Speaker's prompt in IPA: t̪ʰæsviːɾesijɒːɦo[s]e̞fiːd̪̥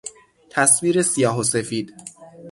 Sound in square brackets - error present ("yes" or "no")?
no